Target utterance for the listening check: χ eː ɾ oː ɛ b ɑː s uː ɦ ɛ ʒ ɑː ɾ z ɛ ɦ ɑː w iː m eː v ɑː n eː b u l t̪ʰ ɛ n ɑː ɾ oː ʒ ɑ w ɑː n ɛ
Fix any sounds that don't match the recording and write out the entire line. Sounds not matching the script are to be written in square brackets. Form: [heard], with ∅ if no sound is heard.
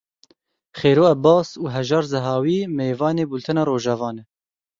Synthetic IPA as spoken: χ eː ɾ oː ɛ b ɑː s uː ɦ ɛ ʒ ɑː ɾ z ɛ ɦ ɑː w iː m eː v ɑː n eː b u l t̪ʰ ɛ n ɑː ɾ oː ʒ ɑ [v] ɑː n ɛ